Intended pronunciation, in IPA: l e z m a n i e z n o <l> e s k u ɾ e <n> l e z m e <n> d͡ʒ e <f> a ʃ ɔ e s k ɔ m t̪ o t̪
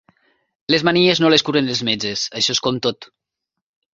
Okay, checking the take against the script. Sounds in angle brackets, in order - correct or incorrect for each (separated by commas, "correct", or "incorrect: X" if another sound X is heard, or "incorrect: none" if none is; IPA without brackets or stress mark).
correct, correct, incorrect: none, incorrect: s